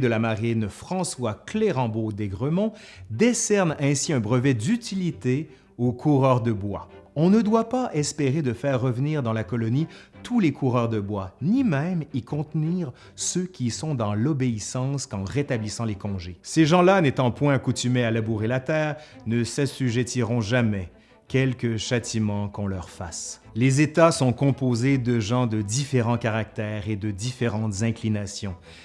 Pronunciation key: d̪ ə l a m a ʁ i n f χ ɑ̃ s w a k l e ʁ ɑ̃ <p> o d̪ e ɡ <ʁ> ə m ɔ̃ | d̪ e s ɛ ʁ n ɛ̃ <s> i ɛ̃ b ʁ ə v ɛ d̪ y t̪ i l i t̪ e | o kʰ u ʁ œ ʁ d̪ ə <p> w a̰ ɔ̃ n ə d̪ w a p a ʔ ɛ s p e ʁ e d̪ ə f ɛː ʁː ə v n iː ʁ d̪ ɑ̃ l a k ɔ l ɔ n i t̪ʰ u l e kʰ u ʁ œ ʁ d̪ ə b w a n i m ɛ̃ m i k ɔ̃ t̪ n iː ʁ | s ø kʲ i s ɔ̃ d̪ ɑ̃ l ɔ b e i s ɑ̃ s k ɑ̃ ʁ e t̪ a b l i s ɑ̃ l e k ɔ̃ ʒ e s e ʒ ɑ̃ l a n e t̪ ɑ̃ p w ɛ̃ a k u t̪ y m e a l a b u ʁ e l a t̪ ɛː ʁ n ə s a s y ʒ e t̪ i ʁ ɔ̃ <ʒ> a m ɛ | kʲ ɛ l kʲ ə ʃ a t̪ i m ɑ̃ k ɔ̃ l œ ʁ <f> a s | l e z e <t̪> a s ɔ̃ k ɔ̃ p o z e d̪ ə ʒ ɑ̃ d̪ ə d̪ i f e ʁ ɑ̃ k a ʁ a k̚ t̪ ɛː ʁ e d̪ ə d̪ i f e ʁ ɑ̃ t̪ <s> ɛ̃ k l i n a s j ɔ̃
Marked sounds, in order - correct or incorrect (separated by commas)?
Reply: incorrect, correct, correct, incorrect, correct, correct, correct, incorrect